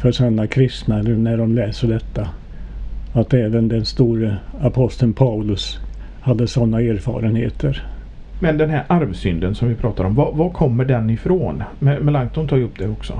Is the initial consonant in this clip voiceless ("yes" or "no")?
yes